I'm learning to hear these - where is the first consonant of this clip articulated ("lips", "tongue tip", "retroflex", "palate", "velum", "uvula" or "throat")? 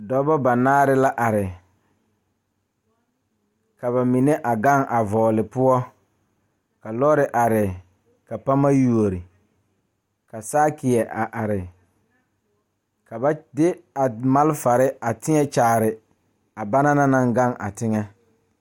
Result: tongue tip